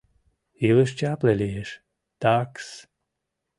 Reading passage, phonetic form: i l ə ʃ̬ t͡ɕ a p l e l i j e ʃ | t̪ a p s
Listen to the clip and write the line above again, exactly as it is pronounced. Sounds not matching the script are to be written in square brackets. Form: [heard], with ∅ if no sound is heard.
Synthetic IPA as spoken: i l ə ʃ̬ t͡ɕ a p l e l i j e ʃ | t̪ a [k] s